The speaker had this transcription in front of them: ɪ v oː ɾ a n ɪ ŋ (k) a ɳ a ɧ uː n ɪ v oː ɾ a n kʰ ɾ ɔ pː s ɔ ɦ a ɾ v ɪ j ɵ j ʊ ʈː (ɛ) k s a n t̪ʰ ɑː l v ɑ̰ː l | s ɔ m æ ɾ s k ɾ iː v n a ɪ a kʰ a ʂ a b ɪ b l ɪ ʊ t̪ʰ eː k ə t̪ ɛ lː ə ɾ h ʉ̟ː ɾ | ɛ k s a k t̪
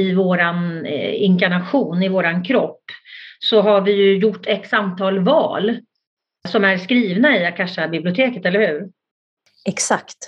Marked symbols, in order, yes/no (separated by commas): yes, yes